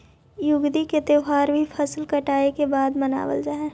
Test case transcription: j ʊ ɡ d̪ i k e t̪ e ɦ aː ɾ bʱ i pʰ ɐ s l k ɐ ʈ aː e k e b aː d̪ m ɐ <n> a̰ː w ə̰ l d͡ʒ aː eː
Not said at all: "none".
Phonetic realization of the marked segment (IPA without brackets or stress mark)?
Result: n